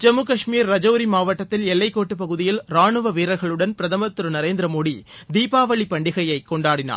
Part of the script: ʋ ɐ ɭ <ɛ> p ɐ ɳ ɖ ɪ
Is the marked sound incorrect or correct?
incorrect: i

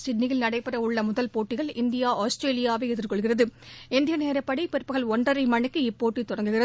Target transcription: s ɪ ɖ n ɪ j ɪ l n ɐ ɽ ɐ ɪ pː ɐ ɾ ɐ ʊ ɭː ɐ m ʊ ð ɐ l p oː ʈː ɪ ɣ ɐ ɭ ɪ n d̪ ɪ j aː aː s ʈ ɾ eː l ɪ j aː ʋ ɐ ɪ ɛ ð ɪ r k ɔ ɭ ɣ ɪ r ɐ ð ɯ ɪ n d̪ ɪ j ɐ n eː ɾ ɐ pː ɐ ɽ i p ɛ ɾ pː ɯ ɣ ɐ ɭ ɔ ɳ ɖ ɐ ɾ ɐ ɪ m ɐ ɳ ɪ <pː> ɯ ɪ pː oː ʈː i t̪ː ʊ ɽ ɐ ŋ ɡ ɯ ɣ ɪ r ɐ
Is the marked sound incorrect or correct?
incorrect: kː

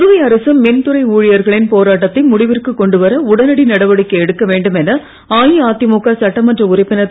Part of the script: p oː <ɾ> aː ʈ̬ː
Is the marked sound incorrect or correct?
correct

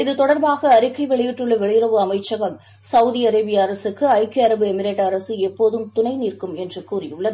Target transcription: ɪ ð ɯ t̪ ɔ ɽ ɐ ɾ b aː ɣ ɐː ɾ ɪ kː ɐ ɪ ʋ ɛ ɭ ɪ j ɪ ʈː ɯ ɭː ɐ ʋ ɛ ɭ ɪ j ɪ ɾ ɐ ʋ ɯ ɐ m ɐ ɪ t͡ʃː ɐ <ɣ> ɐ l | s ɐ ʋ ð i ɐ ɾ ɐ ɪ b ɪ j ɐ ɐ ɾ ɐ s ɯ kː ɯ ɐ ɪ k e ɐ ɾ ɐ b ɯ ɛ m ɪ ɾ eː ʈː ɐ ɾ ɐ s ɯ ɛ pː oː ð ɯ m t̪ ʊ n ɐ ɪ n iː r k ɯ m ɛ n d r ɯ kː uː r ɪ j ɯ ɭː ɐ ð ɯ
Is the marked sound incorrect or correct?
correct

